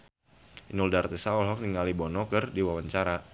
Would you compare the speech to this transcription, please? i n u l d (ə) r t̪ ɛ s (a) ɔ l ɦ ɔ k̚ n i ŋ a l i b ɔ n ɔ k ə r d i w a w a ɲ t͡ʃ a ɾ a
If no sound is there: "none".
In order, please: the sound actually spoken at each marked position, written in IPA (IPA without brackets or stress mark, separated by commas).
a, a